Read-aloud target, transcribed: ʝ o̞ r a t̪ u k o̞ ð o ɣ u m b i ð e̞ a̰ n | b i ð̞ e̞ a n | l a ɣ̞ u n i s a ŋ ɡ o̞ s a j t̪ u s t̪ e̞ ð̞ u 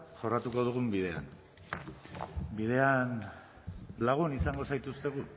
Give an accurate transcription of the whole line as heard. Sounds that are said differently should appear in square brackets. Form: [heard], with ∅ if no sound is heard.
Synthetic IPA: ʝ o̞ r a t̪ u k o̞ ð [u] ɣ u m b i ð e̞ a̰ n | b i ð̞ e̞ a n | l a ɣ̞ u n i s a ŋ ɡ o̞ s a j t̪ u s t̪ e̞ [ɣ̞] u